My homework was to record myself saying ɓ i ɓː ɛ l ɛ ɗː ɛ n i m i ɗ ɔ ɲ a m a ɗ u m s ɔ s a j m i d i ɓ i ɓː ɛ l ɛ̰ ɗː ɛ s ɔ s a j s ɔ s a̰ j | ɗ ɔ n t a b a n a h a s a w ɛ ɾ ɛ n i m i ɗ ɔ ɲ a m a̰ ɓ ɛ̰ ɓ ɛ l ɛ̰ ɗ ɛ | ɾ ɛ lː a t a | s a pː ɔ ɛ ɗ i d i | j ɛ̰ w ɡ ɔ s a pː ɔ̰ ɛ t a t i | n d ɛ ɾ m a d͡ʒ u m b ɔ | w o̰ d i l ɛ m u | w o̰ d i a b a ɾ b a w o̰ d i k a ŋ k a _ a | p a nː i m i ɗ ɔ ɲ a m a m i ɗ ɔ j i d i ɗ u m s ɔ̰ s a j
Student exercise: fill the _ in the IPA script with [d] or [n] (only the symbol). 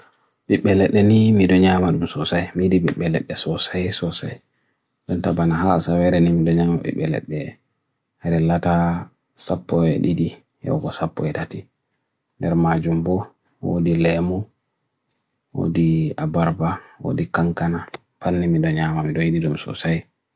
n